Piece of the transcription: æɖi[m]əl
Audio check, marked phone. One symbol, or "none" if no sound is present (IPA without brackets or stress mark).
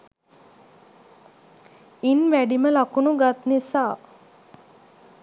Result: m